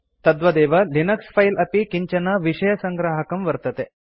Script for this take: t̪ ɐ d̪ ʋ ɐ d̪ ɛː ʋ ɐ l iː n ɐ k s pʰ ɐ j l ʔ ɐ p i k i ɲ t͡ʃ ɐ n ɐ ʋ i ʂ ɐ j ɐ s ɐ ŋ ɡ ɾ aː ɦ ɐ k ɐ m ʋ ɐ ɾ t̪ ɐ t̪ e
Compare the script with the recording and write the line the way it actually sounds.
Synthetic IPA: t̪ ɐ d̪ ʋ ɐ d̪ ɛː ʋ ɐ l i n ɐ k s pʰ ɐ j l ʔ ɐ p i k i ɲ t͡ʃ ɐ n ɐ ʋ i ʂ ɐ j ɐ s ɐ ŋ ɡ ɾ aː ɦ ɐ k ɐ m ʋ ɐ ɾ t̪ ɐ t̪ e